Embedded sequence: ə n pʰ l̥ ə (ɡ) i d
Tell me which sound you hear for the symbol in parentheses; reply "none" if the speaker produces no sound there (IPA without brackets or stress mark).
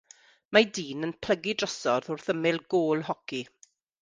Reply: ɡ